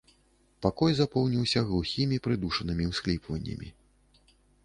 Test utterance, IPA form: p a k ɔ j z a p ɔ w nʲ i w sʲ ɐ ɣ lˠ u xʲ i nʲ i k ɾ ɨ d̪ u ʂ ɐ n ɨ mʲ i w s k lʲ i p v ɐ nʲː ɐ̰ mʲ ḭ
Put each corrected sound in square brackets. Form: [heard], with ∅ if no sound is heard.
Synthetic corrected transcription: p a k ɔ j z a p ɔ w nʲ i w sʲ ɐ ɣ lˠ u xʲ i [mʲ] i [p] ɾ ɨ d̪ u ʂ ɐ n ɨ mʲ i w s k lʲ i p v ɐ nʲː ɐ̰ mʲ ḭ

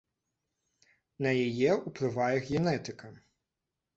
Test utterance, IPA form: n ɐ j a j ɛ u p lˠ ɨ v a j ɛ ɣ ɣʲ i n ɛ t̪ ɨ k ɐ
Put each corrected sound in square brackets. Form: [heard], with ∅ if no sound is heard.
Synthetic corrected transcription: n ɐ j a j ɛ u p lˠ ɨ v a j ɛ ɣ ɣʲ [ɛ] n ɛ t̪ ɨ k ɐ

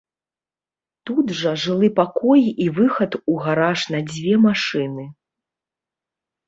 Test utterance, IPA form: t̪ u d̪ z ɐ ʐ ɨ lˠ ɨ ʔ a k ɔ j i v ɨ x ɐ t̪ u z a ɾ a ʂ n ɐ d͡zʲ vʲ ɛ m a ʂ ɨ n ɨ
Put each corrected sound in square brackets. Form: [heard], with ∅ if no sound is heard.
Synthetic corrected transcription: t̪ u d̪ [ʐ] ɐ ʐ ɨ lˠ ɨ [p] a k ɔ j i v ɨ x ɐ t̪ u [ɣ] a ɾ a ʂ n ɐ d͡zʲ vʲ ɛ m a ʂ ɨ n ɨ

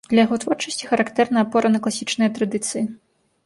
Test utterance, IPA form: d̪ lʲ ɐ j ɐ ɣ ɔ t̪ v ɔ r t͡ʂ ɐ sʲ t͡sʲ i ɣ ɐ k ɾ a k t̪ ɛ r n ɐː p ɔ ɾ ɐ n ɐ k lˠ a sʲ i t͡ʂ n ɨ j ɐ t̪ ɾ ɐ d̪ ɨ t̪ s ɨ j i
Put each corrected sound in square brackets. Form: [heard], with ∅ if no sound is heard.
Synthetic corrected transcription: d̪ lʲ ɐ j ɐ ɣ ɔ t̪ v ɔ r t͡ʂ ɐ sʲ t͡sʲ i [x] ɐ [∅] ɾ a k t̪ ɛ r n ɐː p ɔ ɾ ɐ n ɐ k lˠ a sʲ i t͡ʂ n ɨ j ɐ t̪ ɾ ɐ d̪ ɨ t̪ s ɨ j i

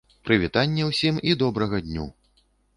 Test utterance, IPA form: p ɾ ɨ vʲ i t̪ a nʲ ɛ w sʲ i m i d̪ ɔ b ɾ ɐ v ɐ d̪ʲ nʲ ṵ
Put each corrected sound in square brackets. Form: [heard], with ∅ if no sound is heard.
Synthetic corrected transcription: p ɾ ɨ vʲ i t̪ a [nʲː] ɛ w sʲ i m i d̪ ɔ b ɾ ɐ [ɣ] ɐ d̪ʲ nʲ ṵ

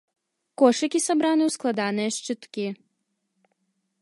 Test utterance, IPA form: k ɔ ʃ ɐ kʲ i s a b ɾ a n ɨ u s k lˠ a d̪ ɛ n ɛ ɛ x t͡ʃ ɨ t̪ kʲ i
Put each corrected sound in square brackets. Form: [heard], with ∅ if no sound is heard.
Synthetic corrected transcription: k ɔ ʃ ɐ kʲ i s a b ɾ a n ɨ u s k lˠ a d̪ [a] n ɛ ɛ [ʃ] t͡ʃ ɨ t̪ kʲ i

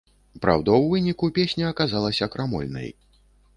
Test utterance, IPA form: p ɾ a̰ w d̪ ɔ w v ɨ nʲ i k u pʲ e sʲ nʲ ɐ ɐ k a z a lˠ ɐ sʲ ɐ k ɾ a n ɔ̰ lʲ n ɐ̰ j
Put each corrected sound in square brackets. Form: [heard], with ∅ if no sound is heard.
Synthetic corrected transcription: p ɾ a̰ w d̪ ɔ w v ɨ nʲ i k u pʲ e sʲ nʲ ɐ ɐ k a z a lˠ ɐ sʲ ɐ k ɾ a [m] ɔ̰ lʲ n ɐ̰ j

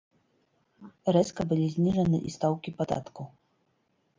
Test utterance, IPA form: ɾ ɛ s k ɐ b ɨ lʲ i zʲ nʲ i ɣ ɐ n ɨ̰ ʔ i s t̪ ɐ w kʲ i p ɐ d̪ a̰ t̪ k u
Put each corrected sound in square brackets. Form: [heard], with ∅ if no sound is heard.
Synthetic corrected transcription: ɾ ɛ s k ɐ b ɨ lʲ i zʲ nʲ i [ʐ] ɐ n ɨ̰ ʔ i s t̪ [a] w kʲ i p [a] d̪ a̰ t̪ k u

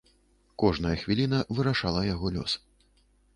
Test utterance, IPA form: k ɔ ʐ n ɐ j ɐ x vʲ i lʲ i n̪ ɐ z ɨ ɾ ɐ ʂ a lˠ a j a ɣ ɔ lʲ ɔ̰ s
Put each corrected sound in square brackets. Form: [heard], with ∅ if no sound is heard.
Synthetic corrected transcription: k ɔ ʐ n ɐ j ɐ x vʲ i lʲ i n̪ ɐ [v] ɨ ɾ [a] ʂ a lˠ [ɐ] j a ɣ ɔ lʲ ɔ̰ s

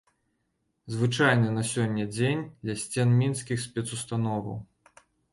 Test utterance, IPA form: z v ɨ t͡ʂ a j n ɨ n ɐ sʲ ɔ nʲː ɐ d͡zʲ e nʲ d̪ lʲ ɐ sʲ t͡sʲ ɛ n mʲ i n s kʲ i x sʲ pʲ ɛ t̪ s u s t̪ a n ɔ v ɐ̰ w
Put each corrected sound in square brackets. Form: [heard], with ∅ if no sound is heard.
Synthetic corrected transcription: z v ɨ t͡ʂ a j n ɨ n ɐ sʲ ɔ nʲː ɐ d͡zʲ e nʲ d̪ lʲ ɐ sʲ t͡sʲ ɛ n mʲ i n s kʲ i x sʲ pʲ ɛ t̪ s u s t̪ a n ɔ v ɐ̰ w

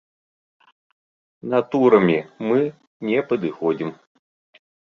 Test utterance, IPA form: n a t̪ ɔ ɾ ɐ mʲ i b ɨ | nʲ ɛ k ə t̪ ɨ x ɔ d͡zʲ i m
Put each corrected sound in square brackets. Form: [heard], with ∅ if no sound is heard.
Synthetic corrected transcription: n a t̪ [u] ɾ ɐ mʲ i [m] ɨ | nʲ ɛ [p] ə [d̪] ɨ x ɔ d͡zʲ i m

